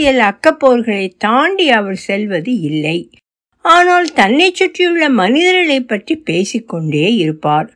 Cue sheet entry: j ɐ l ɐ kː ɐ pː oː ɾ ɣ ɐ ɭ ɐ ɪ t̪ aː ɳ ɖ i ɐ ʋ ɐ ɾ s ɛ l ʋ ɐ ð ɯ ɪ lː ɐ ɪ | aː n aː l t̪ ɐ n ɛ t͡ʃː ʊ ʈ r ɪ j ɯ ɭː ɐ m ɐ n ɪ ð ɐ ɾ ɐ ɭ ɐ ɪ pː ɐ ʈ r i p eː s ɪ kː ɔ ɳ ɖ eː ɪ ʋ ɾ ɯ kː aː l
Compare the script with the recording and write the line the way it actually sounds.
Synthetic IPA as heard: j ɐ l ɐ kː ɐ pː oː ɾ ɣ ɐ ɭ ɐ ɪ t̪ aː ɳ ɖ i ɐ ʋ ɐ ɾ s ɛ l ʋ ɐ ð ɯ ɪ lː ɐ ɪ | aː n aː l t̪ ɐ nː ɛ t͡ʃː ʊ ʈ r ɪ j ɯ ɭː ɐ m ɐ n ɪ ð ɐ ɾ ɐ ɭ ɐ ɪ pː ɐ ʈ r i p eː s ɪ kː ɔ ɳ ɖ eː ɪ ɾ ɯ pː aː ɾ